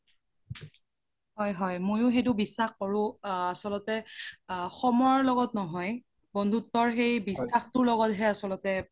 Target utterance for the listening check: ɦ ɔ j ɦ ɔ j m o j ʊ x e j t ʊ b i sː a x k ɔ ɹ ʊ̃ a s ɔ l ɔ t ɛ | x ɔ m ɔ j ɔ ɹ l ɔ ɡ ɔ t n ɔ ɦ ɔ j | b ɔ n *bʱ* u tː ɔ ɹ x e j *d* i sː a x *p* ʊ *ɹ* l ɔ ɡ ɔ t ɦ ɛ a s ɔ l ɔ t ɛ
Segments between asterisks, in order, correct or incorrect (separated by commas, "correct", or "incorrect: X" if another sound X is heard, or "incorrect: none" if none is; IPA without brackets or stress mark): incorrect: dʱ, incorrect: b, incorrect: t, correct